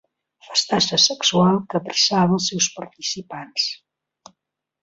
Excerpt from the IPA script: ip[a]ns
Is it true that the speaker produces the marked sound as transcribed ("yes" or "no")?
yes